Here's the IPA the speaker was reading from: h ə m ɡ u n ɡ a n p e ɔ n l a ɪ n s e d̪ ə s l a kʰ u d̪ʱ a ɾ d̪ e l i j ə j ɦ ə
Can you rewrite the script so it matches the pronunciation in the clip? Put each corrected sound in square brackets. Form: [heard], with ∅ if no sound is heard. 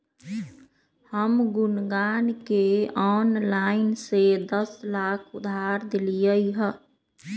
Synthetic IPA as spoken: h ə m ɡ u n ɡ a n [k] e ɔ n l a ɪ n s e d̪ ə s l a kʰ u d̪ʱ a ɾ d̪ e l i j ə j ɦ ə

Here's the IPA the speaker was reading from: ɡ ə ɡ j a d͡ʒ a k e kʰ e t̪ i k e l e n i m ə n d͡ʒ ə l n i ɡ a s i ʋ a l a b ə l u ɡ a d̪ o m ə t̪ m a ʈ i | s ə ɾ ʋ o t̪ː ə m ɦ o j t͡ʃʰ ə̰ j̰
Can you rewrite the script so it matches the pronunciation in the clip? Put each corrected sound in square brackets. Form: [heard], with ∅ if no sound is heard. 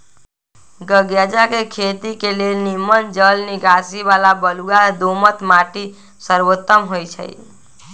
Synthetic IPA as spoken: ɡ ə ɡ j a d͡ʒ a k e kʰ e t̪ i k e l e n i m ə n d͡ʒ ə l n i ɡ a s i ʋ a l a b ə l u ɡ a d̪ o m ə t̪ m a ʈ i | s ə ɾ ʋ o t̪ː ə m ɦ o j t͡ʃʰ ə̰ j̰

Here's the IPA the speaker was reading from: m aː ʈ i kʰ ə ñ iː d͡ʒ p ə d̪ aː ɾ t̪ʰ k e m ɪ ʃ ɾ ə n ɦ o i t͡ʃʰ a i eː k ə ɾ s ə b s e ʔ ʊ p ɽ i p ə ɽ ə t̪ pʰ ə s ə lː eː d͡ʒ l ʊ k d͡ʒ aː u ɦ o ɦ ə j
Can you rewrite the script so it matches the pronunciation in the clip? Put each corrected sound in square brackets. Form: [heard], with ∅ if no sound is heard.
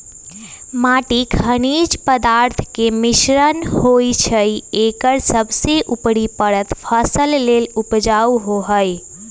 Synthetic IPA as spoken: m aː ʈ i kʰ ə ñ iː d͡ʒ p ə d̪ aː ɾ t̪ʰ k e m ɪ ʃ ɾ ə n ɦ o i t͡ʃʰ [ə] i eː k ə ɾ s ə b s e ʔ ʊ p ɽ i p ə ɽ ə t̪ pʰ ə s ə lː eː [∅] l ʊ [p] d͡ʒ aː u ɦ o ɦ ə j

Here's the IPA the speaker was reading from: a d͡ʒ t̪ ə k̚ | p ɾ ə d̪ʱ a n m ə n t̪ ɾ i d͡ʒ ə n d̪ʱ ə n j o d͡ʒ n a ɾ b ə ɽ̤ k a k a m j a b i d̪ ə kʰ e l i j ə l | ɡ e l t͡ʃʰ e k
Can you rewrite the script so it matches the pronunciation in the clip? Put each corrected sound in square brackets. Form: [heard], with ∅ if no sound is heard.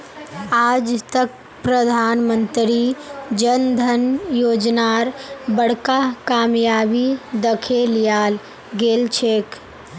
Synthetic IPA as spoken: a d͡ʒ t̪ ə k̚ | p ɾ ə d̪ʱ a n m ə n t̪ ɾ i d͡ʒ ə n d̪ʱ ə n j o d͡ʒ n a ɾ b ə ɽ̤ k a k a m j a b i d̪ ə kʰ e l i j [a] l | ɡ e l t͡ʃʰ e k

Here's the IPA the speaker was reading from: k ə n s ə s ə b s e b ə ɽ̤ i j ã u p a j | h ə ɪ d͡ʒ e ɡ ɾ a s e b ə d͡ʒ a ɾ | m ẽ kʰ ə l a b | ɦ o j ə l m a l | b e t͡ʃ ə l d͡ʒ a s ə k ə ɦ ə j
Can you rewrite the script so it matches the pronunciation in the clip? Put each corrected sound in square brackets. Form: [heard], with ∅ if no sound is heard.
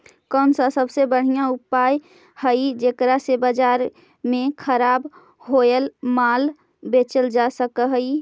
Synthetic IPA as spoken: k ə n s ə s ə b s e b ə ɽ̤ i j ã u p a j | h ə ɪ d͡ʒ e [k] ɾ a s e b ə d͡ʒ a ɾ | m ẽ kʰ ə [ɾ] a b | ɦ o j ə l m a l | b e t͡ʃ ə l d͡ʒ a s ə k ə ɦ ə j

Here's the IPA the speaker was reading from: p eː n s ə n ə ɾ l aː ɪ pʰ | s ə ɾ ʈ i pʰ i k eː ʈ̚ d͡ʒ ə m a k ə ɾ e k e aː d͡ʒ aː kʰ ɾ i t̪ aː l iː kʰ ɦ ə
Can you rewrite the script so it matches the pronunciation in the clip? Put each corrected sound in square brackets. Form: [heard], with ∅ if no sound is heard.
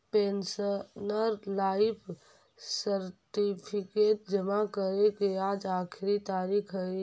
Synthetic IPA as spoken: p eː n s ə n ə ɾ l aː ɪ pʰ | s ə ɾ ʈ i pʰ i k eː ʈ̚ d͡ʒ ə m a k ə ɾ e k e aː d͡ʒ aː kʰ ɾ i t̪ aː [ɾ] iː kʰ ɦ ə

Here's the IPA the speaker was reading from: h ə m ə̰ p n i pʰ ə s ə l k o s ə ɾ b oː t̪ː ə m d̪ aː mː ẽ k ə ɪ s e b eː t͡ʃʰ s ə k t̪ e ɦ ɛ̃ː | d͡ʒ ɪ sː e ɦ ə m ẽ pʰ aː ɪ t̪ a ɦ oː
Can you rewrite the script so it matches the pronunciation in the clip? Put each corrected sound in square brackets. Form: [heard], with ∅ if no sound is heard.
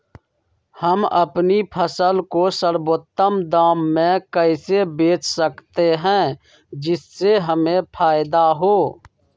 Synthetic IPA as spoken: h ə m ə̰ p n i pʰ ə s ə l k o s ə ɾ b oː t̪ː ə m d̪ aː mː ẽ k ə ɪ s e b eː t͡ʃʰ s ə k t̪ e ɦ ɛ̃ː | d͡ʒ ɪ sː e ɦ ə m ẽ pʰ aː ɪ [d̪] a ɦ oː

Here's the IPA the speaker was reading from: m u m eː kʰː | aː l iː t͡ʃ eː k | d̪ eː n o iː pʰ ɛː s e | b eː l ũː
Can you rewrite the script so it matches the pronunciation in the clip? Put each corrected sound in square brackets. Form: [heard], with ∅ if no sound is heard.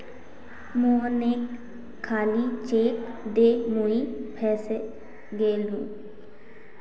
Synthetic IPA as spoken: m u [n] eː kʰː | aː l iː t͡ʃ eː k | d̪ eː [m] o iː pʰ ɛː s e | [ɡ] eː l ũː

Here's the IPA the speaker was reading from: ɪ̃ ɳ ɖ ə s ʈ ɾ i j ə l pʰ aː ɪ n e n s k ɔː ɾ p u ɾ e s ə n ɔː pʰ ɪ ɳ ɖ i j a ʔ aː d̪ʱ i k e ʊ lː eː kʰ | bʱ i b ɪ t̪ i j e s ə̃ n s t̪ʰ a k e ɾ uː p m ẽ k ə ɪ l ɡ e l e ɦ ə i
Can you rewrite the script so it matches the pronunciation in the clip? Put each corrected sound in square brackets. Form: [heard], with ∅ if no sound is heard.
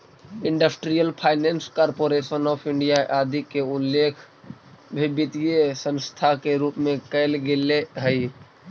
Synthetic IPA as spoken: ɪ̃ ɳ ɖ ə s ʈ ɾ i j ə l pʰ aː ɪ n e n s k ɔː ɾ p [o] ɾ e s ə n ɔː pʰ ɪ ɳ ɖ i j a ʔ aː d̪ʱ i k e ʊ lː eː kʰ | bʱ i b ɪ t̪ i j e s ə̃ n s t̪ʰ a k e ɾ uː p m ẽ k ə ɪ l ɡ e l e ɦ ə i

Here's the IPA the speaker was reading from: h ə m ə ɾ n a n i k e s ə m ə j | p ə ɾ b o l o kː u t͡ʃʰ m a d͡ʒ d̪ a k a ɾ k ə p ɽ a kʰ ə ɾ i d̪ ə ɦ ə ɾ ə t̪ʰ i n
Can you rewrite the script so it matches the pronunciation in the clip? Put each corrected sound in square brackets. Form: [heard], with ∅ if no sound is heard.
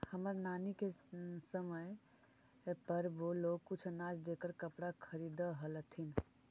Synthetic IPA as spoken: h ə m ə ɾ n a n i k e s ə m ə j | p ə ɾ b o l o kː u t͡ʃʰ [n] a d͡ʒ d̪ [e] k [ə] ɾ k ə p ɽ a kʰ ə ɾ i d̪ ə ɦ ə [l] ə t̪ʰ i n

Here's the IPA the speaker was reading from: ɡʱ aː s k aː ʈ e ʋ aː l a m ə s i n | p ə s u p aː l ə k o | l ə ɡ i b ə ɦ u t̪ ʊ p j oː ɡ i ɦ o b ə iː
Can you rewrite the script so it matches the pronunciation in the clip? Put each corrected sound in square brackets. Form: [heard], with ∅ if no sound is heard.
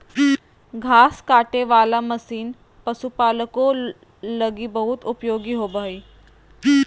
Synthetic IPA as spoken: ɡʱ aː s k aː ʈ e ʋ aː l a m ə s [iː] n | p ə s u p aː l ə k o | l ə ɡ i b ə ɦ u t̪ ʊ p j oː ɡ i ɦ o b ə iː

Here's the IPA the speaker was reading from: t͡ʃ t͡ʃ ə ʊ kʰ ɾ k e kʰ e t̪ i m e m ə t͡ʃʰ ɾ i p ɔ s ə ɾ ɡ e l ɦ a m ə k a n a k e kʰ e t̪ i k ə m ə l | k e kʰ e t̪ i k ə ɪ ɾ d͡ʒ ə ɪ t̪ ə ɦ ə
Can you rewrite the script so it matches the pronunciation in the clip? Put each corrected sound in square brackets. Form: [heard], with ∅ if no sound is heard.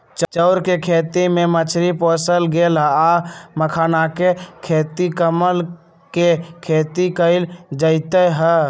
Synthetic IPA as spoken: t͡ʃ t͡ʃ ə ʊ [∅] ɾ k e kʰ e t̪ i m e m ə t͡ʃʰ ɾ i p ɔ s ə [l] ɡ e l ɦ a m ə [kʰ] a n a k e kʰ e t̪ i k ə m ə l | k e kʰ e t̪ i k ə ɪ [l] d͡ʒ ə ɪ t̪ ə ɦ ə

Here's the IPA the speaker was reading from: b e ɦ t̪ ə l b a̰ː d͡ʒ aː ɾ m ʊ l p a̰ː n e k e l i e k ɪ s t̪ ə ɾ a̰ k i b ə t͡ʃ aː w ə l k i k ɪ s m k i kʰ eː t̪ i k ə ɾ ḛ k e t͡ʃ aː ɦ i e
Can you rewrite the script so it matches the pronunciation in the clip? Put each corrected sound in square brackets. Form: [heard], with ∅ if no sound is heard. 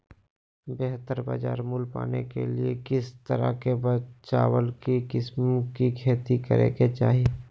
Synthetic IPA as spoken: b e ɦ t̪ ə [ɾ] b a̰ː d͡ʒ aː ɾ m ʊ l p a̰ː n e k e l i e k ɪ s t̪ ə ɾ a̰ k [e] b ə t͡ʃ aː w ə l k i k ɪ s m k i kʰ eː t̪ i k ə ɾ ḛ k e t͡ʃ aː ɦ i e

